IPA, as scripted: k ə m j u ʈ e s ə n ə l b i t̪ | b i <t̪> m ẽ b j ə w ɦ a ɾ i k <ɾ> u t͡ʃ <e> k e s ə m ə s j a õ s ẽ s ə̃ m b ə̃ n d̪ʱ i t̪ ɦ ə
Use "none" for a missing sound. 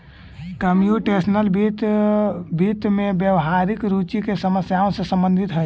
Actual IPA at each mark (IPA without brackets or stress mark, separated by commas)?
t̪, ɾ, i